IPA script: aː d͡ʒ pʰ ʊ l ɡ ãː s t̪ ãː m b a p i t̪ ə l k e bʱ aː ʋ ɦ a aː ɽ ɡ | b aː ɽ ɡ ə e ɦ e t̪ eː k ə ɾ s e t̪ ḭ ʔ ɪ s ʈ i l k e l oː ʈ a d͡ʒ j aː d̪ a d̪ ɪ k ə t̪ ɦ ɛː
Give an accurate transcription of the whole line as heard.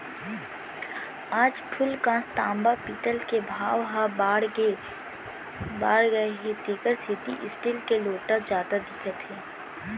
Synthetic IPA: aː d͡ʒ pʰ ʊ l k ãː s t̪ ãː m b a p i t̪ ə l k e bʱ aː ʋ ɦ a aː ɽ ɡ | b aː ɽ ɡ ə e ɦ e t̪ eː k ə ɾ s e t̪ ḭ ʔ ɪ s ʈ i l k e l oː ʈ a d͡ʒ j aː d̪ a d̪ ɪ kʰ ə t̪ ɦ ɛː

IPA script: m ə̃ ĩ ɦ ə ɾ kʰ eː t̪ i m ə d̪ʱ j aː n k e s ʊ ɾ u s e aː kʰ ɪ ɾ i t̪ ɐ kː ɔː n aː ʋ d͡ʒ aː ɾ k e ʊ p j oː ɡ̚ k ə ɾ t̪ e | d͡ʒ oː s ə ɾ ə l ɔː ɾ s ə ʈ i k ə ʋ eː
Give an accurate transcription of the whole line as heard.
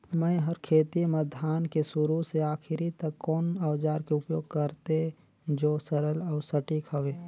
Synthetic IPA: m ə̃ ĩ ɦ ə ɾ kʰ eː t̪ i m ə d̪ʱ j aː n k e s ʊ ɾ u s e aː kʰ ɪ ɾ i t̪ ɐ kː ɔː n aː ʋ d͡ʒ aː ɾ k e ʊ p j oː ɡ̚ k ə ɾ t̪ e | d͡ʒ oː s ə ɾ ə l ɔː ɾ s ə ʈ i k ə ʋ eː

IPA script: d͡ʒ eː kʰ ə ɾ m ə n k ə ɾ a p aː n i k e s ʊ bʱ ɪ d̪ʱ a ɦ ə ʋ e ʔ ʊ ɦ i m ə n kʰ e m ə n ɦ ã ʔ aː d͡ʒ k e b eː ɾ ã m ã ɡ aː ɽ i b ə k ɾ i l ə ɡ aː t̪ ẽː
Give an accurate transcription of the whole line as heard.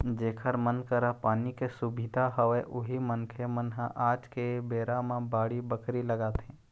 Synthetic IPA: d͡ʒ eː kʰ ə ɾ m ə n k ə ɾ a p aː n i k e s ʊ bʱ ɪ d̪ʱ a ɦ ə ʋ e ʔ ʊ ɦ i m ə n kʰ e m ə n ɦ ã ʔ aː d͡ʒ k e b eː ɾ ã m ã b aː ɽ i b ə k ɾ i l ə ɡ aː t̪ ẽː

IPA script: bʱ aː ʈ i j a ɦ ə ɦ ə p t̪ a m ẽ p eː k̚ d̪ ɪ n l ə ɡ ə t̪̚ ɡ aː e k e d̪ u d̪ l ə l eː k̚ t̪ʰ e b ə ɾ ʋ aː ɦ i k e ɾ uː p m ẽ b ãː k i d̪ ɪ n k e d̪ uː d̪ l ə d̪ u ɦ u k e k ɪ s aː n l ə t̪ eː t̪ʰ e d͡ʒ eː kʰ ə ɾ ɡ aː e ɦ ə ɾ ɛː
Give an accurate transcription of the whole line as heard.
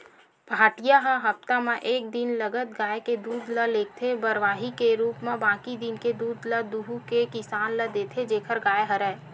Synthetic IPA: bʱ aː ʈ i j a ɦ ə ɦ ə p t̪ a m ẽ ʔ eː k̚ d̪ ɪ n l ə ɡ ə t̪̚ ɡ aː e k e d̪ uː d̪ l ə l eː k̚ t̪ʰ e b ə ɾ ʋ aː ɦ i k e ɾ uː p m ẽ b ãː k i d̪ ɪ n k e d̪ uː d̪ l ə d̪ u ɦ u k e k ɪ s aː n l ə d̪ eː t̪ʰ e d͡ʒ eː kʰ ə ɾ ɡ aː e ɦ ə ɾ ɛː

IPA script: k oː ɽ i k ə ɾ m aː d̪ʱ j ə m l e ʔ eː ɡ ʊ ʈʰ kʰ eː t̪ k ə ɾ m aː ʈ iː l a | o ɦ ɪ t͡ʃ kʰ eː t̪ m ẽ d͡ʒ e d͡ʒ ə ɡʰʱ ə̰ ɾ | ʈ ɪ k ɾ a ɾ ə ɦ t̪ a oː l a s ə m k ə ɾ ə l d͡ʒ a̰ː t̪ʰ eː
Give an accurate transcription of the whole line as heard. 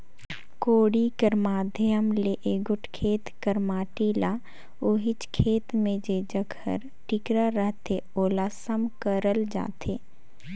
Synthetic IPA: k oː ɽ i k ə ɾ m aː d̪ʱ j ə m l e ʔ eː ɡ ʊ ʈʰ kʰ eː t̪ k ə ɾ m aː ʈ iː l a | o ɦ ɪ t͡ʃ kʰ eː t̪ m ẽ d͡ʒ e d͡ʒ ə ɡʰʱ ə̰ ɾ | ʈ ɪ k ɾ a ɾ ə ɦ t̪ e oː l a s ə m k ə ɾ ə l d͡ʒ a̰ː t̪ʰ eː

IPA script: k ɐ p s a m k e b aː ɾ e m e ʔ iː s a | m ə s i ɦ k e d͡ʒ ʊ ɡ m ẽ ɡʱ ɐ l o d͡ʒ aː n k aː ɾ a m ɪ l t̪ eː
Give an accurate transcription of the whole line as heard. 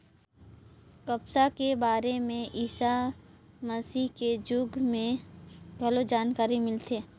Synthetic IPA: k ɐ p s a k e b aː ɾ e m ẽ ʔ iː s a | m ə s i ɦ k e d͡ʒ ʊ ɡ m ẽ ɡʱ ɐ l o d͡ʒ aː n k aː ɾ i m ɪ l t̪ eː

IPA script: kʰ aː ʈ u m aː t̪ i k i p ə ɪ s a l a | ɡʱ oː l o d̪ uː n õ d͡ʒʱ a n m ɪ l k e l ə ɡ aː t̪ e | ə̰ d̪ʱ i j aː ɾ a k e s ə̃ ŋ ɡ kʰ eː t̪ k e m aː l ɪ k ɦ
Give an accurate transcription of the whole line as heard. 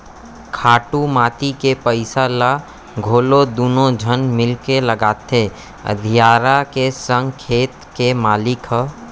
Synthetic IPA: kʰ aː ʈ u m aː t̪ i k e p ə ɪ s a l a | ɡʱ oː l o d̪ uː n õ d͡ʒʱ ə n m ɪ l k e l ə ɡ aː t̪ e | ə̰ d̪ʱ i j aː ɾ a k e s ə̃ ŋ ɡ kʰ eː t̪ k e m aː l ɪ k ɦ

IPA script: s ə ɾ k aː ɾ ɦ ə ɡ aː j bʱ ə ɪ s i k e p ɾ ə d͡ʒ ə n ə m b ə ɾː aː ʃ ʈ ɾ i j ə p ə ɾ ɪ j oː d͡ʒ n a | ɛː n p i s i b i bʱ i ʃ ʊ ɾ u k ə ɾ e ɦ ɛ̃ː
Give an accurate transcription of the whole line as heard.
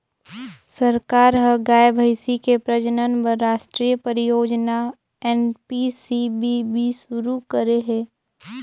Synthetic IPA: s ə ɾ k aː ɾ ɦ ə ɡ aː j bʱ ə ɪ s i k e p ɾ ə d͡ʒ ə n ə n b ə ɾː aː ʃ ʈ ɾ i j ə p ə ɾ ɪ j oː d͡ʒ n a | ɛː n p i s i b i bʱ i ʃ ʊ ɾ u k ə ɾ e ɦ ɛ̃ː

